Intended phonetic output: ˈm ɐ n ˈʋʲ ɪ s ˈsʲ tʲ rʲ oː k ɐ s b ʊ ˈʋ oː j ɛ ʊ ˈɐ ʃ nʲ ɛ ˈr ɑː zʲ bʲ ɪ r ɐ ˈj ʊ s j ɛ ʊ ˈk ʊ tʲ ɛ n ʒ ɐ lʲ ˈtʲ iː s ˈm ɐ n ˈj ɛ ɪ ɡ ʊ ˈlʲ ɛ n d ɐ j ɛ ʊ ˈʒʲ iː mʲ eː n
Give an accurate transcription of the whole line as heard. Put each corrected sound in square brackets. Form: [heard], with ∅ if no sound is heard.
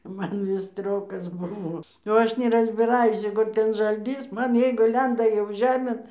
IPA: ˈm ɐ n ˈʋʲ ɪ s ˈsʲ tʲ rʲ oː k ɐ s b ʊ ˈʋ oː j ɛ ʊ ˈɐ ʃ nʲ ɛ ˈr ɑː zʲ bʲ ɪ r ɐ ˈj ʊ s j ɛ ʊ ˈk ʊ tʲ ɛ n ʒ ɐ lʲ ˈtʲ iː s ˈm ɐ n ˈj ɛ ɪ ɡ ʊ ˈlʲ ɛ n d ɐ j ɛ ʊ ˈʒʲ [æː] mʲ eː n

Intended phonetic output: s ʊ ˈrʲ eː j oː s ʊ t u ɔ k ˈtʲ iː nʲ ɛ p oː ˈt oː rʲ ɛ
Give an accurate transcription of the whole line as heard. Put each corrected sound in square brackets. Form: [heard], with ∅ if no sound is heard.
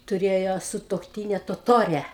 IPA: [t] ʊ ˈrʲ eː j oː s ʊ t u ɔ k ˈtʲ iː nʲ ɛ [t] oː ˈt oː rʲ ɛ

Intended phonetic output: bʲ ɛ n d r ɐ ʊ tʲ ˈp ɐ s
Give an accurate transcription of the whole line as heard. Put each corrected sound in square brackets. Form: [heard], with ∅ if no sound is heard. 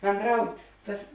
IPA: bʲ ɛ n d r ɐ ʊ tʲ [ˈt] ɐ s

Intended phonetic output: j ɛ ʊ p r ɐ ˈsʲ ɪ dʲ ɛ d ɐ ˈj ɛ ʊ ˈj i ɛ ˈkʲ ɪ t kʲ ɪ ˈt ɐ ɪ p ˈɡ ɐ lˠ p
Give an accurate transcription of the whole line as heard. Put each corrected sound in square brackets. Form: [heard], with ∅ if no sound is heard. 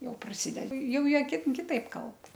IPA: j ɛ ʊ p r ɐ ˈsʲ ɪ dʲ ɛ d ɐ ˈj ɛ ʊ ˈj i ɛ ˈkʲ ɪ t kʲ ɪ ˈt ɐ ɪ p [ˈk] ɐ lˠ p

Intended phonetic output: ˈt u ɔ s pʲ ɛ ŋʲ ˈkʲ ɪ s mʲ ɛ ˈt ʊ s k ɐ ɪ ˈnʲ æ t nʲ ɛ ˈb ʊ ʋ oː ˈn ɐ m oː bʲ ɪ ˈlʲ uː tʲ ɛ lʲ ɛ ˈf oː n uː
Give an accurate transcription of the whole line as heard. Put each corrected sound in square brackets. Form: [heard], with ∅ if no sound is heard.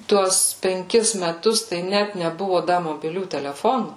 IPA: ˈt u ɔ s pʲ ɛ ŋʲ ˈkʲ ɪ s mʲ ɛ ˈt ʊ s [t] ɐ ɪ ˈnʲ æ t nʲ ɛ ˈb ʊ ʋ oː [ˈd] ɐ m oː bʲ ɪ ˈlʲ uː tʲ ɛ lʲ ɛ ˈf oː n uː

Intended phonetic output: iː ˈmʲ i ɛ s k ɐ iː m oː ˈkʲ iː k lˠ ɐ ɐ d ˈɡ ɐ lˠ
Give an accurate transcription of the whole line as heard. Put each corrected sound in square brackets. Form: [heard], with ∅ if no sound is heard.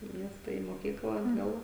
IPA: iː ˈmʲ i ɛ s [t] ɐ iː m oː ˈkʲ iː k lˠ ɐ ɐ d ˈɡ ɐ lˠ

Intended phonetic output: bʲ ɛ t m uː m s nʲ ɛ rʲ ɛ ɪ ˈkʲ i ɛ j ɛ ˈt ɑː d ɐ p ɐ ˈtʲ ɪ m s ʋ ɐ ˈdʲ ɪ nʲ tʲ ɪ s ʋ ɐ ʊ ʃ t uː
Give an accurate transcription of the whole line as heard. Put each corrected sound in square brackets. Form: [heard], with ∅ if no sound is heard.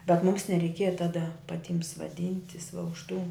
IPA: bʲ ɛ t m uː m s nʲ ɛ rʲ ɛ ɪ ˈkʲ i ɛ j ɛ ˈt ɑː d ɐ p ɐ ˈtʲ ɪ m s ʋ ɐ ˈdʲ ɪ nʲ tʲ ɪ s ʋ ɐ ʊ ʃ t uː

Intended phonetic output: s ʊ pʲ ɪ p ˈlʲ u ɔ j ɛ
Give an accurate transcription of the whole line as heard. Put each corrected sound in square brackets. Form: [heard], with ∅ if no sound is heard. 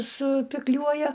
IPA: s ʊ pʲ ɪ [k] ˈlʲ u ɔ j ɛ

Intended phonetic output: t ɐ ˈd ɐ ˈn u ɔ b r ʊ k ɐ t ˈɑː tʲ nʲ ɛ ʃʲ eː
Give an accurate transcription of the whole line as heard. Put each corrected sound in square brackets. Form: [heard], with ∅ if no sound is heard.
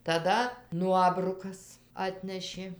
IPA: t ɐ ˈd ɐ ˈn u ɔ b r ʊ k ɐ [s] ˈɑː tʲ nʲ ɛ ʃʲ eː

